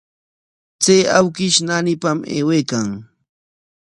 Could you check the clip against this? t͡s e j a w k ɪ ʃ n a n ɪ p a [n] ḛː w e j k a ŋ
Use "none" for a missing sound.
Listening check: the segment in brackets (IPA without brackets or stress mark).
m